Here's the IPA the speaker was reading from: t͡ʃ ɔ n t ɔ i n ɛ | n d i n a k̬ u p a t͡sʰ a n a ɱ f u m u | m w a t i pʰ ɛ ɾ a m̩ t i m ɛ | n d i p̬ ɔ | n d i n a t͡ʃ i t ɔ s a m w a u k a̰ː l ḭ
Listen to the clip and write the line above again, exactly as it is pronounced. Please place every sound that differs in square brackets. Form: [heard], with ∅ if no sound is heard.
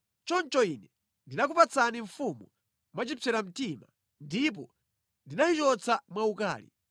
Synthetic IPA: t͡ʃ ɔ n [t͡ʃ] ɔ i n ɛ | n d i n a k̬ u p a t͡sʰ a n [i] ɱ f u m u | m w a [t͡ʃ] i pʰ ɛ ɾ a m̩ t i m [a] | n d i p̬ ɔ | n d i n a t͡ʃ i [t͡ʃ] ɔ [t͡s] a m w a u k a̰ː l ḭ

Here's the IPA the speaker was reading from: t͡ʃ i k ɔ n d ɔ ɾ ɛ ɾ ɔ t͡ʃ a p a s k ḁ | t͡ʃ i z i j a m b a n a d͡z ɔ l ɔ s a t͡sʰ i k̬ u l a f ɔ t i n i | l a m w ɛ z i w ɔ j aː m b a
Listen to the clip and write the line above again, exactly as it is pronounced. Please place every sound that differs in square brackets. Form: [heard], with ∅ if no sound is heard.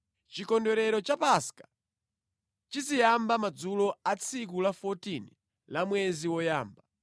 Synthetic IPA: t͡ʃ i k ɔ n d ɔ ɾ ɛ ɾ ɔ t͡ʃ a p a s k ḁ | t͡ʃ i z i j a m b a [m] a d͡z [u] l ɔ [∅] a t͡sʰ i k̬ u l a f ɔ t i n i | l a m w ɛ z i w ɔ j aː m b a

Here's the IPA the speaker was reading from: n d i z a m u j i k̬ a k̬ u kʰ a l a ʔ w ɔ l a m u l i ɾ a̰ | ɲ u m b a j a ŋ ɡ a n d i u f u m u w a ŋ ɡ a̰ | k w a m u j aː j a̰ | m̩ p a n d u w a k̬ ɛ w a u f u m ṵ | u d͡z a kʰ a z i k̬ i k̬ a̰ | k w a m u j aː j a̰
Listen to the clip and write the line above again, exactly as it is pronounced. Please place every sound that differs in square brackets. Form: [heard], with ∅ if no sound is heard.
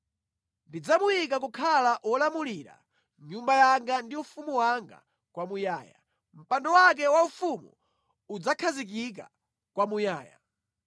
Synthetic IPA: n d i [d͡z] a m u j i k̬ a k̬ u kʰ a l a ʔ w ɔ l a m u l i ɾ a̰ | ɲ u m b a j a ŋ ɡ a n d i u f u m u w a ŋ ɡ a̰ | k w a m u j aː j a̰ | m̩ p a n d [ɔ] w a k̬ ɛ w a u f u m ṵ | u d͡z a kʰ a z i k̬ i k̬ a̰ | k w a m u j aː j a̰

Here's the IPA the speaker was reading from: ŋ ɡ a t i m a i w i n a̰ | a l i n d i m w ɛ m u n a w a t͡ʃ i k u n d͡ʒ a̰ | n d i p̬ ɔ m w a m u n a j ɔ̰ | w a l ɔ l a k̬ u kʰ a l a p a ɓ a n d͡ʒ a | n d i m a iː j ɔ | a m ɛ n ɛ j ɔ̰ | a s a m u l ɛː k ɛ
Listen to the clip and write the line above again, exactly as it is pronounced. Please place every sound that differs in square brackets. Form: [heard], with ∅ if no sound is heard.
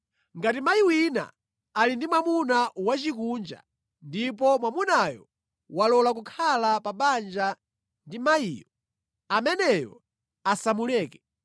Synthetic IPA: ŋ ɡ a t i m a i w i n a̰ | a l i n d i m w [a] m u n a w a t͡ʃ i k u n d͡ʒ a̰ | n d i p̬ ɔ m w a m u n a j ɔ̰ | w a l ɔ l a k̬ u kʰ a l a p a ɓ a n d͡ʒ a | n d i m a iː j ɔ | a m ɛ n ɛ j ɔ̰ | a s a m u l ɛː k ɛ

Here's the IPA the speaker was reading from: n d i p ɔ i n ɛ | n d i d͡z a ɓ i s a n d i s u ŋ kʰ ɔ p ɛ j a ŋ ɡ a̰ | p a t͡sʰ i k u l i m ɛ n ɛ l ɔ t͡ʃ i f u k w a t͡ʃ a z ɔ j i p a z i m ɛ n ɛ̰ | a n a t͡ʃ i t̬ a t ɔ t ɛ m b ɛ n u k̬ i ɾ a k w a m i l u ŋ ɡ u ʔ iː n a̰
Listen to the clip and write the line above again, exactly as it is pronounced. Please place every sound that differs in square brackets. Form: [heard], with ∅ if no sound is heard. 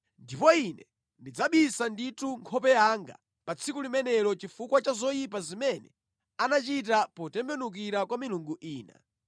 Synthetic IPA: n d i p ɔ i n ɛ | n d i d͡z a ɓ i s a n d i [t] u ŋ kʰ ɔ p ɛ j a ŋ ɡ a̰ | p a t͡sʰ i k u l i m ɛ n ɛ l ɔ t͡ʃ i f u k w a t͡ʃ a z ɔ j i p a z i m ɛ n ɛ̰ | a n a t͡ʃ i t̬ a [p] ɔ t ɛ m b ɛ n u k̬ i ɾ a k w a m i l u ŋ ɡ u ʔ iː n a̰

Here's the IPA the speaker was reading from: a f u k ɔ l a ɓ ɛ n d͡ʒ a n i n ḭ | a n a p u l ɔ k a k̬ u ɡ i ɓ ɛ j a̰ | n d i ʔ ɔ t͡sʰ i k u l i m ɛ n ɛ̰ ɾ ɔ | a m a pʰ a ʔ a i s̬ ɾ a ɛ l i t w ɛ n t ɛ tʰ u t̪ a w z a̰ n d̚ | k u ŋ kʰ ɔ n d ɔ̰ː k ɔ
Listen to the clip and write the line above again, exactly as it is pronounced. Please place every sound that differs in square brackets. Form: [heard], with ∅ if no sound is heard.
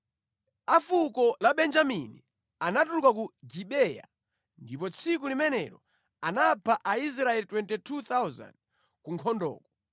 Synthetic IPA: a f u k ɔ l a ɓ ɛ n d͡ʒ a [m] i n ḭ | a n a [t] u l [u] k a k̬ u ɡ i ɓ ɛ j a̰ | n d i [p] ɔ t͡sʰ i k u l i m ɛ n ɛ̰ ɾ ɔ | a [n] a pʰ a ʔ a i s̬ ɾ a ɛ l i t w ɛ n t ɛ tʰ u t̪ a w z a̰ n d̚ | k u ŋ kʰ ɔ n d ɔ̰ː k ɔ

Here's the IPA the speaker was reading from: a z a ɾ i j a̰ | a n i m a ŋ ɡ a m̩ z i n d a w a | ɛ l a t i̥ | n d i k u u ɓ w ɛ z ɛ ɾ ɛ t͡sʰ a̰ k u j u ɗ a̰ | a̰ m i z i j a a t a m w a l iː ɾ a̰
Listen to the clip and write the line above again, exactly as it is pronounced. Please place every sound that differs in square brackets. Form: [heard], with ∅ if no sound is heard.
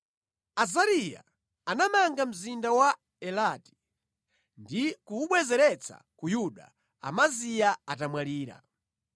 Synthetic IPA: a z a ɾ i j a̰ | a n [a] m a ŋ ɡ a m̩ z i n d a w a | ɛ l a t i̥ | n d i k u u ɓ w ɛ z ɛ ɾ ɛ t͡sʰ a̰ k u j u ɗ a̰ | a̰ m [a] z i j a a t a m w a l iː ɾ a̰

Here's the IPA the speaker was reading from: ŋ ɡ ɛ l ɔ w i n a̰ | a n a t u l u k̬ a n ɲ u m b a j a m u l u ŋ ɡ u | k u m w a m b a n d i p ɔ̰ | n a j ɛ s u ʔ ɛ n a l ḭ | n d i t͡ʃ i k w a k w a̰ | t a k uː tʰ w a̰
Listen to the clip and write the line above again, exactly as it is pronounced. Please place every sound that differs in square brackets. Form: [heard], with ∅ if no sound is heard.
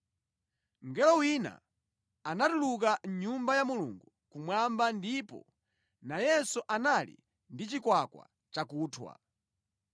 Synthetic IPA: ŋ ɡ ɛ l ɔ w i n a̰ | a n a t u l u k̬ a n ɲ u m b a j a m u l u ŋ ɡ u | k u m w a m b a n d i p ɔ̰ | n a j ɛ s u ʔ [a] n a l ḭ | n d i t͡ʃ i k w a k w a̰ | [t͡ʃ] a k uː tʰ w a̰

